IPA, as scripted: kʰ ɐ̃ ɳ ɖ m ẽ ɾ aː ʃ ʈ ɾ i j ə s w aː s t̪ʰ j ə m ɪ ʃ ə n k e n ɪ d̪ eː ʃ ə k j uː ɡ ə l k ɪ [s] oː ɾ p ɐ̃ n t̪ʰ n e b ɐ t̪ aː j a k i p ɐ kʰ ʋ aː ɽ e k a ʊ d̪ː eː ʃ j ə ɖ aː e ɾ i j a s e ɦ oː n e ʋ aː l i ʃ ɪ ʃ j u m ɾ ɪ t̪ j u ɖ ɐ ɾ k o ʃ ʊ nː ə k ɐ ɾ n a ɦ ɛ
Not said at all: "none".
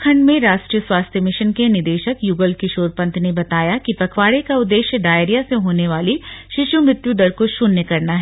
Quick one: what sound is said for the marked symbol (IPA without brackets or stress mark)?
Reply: ʃ